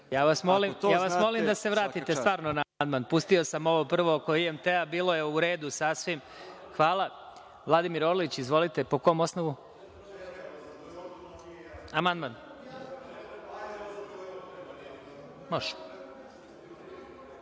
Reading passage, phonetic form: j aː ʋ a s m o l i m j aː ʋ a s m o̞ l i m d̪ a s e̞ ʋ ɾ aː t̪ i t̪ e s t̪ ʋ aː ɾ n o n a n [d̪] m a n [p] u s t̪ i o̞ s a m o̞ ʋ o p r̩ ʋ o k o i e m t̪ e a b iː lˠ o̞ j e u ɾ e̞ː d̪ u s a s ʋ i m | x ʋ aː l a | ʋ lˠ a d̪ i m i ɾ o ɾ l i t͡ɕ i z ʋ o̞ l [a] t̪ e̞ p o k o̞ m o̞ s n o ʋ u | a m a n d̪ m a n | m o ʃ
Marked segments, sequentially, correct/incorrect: correct, correct, incorrect: i

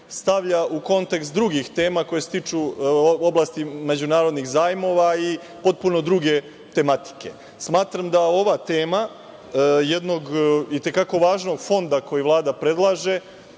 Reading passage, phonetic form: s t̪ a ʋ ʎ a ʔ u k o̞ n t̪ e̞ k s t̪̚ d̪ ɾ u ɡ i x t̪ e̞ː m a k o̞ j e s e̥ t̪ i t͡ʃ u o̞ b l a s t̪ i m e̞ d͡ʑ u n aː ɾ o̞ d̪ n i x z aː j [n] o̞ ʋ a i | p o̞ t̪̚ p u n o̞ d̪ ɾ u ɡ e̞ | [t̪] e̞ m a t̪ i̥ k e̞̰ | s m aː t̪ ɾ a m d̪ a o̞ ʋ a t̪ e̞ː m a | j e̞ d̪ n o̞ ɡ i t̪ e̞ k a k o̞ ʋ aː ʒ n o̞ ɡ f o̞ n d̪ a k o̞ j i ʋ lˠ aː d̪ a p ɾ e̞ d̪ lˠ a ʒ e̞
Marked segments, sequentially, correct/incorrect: incorrect: m, correct

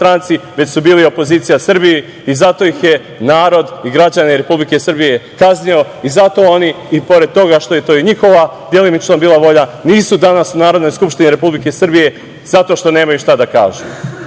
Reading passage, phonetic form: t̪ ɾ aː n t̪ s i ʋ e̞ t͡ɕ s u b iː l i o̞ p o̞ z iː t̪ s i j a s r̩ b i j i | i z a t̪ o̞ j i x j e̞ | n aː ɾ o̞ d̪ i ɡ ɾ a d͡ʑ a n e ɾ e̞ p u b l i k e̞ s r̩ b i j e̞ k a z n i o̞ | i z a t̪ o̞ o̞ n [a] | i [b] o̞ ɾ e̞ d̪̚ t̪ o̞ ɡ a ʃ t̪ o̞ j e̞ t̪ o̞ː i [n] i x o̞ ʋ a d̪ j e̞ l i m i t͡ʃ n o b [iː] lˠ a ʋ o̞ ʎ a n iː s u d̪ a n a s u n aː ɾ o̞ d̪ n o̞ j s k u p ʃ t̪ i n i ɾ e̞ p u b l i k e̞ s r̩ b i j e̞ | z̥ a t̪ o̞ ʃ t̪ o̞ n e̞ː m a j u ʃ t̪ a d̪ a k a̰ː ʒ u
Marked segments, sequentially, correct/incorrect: incorrect: i, incorrect: p, incorrect: ɲ, correct

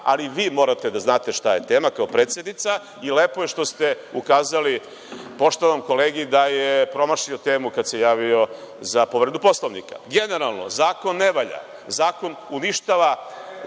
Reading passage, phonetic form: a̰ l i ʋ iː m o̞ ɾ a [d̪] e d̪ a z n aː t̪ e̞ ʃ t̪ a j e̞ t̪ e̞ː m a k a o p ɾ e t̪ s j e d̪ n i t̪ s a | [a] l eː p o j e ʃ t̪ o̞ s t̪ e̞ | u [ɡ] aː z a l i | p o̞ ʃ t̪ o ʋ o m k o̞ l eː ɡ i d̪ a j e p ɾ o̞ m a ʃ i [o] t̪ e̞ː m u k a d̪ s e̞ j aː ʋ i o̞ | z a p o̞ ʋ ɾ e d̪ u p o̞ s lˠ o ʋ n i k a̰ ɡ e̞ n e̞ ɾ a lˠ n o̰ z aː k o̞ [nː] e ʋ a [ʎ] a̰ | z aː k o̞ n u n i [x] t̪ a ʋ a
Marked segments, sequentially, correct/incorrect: incorrect: t̪, incorrect: i, incorrect: k, correct, correct, correct, incorrect: ʃ

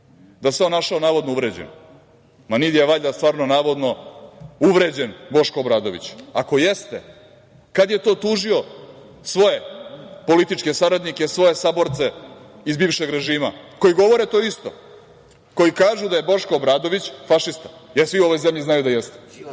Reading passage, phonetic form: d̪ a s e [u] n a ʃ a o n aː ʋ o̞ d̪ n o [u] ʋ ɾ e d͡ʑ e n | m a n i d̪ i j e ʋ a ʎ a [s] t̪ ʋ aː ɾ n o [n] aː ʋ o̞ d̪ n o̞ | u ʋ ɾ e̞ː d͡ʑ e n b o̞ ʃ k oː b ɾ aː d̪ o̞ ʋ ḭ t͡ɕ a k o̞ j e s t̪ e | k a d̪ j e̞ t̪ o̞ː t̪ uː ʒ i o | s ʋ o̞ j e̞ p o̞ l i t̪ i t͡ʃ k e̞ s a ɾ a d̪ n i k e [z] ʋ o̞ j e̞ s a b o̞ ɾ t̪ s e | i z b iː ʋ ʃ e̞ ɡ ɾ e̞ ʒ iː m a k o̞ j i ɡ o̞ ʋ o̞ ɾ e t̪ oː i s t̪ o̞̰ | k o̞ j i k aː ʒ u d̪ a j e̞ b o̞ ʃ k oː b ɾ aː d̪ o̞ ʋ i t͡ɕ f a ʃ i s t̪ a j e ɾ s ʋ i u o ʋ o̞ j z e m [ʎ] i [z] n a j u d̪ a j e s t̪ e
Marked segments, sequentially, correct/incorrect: incorrect: o, correct, correct, correct, incorrect: s, correct, correct

